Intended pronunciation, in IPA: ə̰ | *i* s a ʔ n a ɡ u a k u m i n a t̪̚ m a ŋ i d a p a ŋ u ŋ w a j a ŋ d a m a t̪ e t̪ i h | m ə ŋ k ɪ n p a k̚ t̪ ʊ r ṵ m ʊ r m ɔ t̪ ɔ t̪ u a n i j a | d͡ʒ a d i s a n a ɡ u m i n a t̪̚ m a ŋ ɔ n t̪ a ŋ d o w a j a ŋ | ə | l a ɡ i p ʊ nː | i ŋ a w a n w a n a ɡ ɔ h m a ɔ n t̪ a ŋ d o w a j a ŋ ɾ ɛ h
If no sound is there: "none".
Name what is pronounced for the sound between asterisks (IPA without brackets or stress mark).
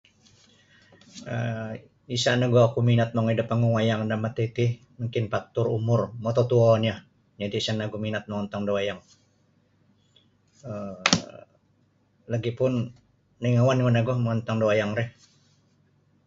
i